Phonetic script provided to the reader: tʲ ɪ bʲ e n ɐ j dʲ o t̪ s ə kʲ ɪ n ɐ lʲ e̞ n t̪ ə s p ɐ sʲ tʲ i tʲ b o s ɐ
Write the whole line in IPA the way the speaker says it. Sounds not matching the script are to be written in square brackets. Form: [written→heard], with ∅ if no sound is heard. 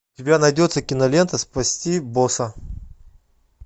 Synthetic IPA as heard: tʲ ɪ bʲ [e→a] n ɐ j dʲ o t̪ s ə kʲ ɪ n ɐ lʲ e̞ n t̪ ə s p ɐ sʲ tʲ i [tʲ→∅] b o s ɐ